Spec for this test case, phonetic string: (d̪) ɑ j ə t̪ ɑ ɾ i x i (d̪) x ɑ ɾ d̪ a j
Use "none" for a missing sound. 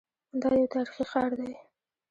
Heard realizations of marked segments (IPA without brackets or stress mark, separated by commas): d̪, none